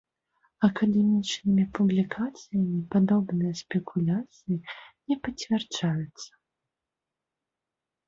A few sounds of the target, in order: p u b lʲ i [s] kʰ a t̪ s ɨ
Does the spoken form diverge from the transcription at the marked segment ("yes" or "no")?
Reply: yes